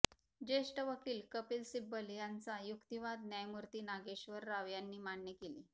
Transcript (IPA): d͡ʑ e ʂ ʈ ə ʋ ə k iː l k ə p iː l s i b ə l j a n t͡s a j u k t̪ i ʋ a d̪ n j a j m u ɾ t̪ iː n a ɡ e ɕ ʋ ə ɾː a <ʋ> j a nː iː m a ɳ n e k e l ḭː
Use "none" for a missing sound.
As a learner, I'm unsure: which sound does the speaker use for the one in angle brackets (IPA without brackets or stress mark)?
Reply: ʋ